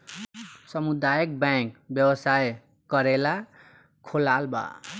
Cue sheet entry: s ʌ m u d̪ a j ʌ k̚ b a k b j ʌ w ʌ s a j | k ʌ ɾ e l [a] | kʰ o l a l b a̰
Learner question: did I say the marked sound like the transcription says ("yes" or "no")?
yes